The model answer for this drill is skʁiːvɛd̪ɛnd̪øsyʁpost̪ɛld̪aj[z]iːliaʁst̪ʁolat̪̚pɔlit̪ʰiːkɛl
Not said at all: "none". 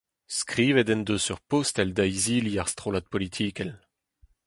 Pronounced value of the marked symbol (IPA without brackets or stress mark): z